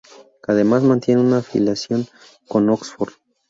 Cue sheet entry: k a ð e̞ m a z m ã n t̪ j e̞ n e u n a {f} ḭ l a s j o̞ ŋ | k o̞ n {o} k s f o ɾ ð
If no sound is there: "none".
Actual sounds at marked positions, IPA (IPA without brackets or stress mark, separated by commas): f, o